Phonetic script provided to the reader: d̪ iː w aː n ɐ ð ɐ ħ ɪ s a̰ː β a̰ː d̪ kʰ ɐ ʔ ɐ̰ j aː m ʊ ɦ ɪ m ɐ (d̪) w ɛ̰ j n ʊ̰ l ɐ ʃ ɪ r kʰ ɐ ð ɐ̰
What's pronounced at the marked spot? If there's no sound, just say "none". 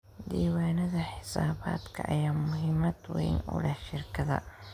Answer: d̪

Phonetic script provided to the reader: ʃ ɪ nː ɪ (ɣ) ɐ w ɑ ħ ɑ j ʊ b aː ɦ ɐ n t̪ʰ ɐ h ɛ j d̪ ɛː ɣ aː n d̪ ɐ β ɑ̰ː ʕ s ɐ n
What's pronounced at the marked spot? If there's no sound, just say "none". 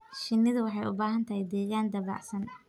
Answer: ð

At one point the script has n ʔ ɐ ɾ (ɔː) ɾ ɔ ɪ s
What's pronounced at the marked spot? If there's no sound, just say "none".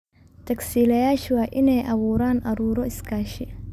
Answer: uː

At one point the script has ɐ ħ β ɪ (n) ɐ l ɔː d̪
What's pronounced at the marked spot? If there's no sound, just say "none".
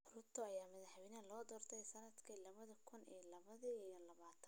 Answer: n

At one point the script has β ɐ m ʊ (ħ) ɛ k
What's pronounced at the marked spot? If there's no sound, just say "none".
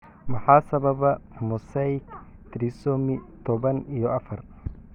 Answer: s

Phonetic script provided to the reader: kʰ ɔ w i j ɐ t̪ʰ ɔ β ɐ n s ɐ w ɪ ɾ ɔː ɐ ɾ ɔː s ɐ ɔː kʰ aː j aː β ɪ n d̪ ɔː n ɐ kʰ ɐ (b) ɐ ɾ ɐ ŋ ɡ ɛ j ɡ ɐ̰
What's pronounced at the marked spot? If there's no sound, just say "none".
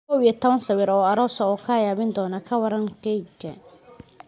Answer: w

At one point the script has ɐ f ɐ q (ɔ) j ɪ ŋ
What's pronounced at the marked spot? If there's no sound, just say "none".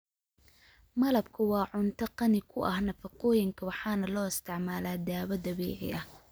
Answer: ɔː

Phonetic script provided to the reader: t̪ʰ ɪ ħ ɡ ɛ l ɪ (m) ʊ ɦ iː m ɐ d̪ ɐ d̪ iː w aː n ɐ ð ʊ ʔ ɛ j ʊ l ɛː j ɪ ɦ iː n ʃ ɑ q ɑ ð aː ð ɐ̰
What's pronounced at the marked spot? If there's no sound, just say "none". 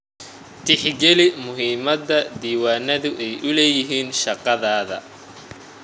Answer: m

